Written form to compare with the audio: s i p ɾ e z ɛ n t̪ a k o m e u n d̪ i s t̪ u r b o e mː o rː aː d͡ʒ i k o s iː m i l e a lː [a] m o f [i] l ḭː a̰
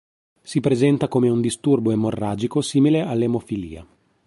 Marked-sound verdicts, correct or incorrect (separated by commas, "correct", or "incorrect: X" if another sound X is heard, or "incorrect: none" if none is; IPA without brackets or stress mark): incorrect: e, correct